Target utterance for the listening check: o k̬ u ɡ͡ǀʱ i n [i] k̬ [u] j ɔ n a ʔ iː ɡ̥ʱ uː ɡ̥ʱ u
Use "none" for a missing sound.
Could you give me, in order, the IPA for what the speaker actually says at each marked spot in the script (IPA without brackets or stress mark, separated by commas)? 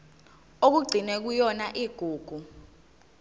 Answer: ɛ, u